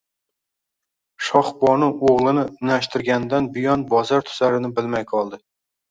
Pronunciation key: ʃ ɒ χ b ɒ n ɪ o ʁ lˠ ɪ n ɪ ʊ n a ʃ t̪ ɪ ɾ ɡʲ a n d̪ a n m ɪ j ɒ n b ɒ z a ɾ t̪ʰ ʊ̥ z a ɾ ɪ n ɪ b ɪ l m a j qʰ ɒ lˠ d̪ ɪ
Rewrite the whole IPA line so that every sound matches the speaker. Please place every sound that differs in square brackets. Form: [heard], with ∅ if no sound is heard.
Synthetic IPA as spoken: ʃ ɒ χ b ɒ n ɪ o ʁ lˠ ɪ n ɪ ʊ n a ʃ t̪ ɪ ɾ ɡʲ a n d̪ a n [b] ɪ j ɒ n b ɒ z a ɾ t̪ʰ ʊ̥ z a ɾ ɪ n ɪ b ɪ l m a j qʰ ɒ lˠ d̪ ɪ